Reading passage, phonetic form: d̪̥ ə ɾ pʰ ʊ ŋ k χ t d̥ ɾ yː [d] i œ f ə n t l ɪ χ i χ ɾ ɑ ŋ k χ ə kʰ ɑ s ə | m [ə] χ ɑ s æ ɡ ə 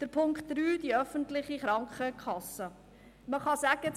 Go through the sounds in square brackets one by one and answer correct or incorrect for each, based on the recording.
correct, correct

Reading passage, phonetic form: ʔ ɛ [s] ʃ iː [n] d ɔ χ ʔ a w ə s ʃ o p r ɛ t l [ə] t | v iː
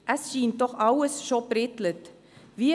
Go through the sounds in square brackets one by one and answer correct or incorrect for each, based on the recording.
correct, correct, correct

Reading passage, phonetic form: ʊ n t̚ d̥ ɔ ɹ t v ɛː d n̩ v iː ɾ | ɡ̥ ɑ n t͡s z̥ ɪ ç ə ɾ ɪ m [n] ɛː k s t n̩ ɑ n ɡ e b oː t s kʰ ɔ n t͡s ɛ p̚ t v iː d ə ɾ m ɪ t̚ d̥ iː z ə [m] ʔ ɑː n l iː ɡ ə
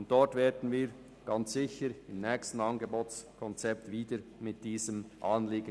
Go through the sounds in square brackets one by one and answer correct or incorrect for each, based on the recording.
correct, correct

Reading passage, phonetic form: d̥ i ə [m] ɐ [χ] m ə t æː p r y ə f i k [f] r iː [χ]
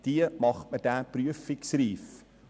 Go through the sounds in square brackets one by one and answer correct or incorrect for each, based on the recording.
correct, correct, incorrect, incorrect

